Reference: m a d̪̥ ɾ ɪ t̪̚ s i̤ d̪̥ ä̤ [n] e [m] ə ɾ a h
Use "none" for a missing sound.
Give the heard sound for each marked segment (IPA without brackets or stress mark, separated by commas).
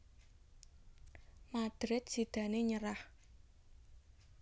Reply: n, ɲ